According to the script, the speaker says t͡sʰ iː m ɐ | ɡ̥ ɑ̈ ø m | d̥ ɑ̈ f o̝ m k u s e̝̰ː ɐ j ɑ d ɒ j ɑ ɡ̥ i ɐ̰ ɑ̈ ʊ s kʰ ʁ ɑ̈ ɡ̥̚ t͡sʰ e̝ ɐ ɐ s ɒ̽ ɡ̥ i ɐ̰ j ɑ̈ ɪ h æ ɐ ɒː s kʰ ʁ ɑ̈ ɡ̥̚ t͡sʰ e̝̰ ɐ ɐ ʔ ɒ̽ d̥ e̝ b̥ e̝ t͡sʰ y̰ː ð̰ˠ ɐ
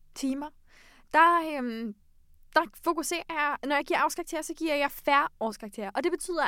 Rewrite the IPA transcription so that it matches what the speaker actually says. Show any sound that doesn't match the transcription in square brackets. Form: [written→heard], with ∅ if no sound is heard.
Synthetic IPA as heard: t͡sʰ iː m ɐ | [ɡ̥→d̥] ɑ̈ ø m | d̥ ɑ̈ f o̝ [m→∅] k u s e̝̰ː ɐ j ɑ [d→n] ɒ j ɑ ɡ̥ i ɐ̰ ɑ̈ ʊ s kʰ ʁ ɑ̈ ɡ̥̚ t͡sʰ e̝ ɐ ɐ s ɒ̽ ɡ̥ i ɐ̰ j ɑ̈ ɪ [h→f] æ ɐ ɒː s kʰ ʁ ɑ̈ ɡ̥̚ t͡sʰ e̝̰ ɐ ɐ ʔ ɒ̽ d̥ e̝ b̥ e̝ t͡sʰ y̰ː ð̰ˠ ɐ